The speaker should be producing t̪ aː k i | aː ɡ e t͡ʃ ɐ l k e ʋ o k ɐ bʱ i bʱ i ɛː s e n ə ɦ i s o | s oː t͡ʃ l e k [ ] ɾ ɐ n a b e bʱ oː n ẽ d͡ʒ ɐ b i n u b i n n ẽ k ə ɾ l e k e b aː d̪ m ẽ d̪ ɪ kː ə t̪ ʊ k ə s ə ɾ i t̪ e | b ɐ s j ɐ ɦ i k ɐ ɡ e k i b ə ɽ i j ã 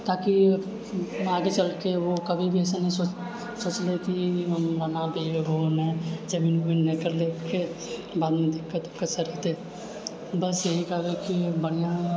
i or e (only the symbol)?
i